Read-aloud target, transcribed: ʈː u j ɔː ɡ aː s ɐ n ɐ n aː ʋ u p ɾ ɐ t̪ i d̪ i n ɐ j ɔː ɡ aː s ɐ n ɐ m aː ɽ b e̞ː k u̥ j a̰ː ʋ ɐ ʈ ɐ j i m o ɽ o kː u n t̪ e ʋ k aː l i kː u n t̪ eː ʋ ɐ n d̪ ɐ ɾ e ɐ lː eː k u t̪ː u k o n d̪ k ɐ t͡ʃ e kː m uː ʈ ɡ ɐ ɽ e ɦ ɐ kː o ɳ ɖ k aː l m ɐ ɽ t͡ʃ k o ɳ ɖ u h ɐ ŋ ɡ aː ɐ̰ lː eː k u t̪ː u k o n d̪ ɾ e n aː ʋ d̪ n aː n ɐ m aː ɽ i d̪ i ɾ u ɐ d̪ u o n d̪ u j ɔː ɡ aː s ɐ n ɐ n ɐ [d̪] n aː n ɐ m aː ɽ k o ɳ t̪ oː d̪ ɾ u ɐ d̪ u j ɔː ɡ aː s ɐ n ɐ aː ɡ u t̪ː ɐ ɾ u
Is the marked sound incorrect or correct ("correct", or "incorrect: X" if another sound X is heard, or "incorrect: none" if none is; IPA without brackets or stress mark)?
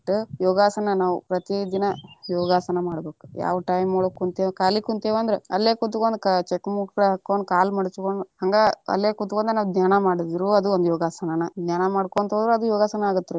correct